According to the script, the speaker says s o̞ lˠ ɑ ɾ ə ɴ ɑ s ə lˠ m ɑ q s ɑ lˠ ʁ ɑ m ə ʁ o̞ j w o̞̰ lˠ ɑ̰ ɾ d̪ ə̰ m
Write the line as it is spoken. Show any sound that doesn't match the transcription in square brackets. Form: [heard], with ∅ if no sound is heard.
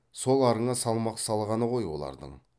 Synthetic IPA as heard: s o̞ lˠ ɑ ɾ ə ɴ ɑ s [ɑ] lˠ m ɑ q s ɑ lˠ ʁ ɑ [n] ə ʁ o̞ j w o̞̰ lˠ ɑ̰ ɾ d̪ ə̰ [ɴ]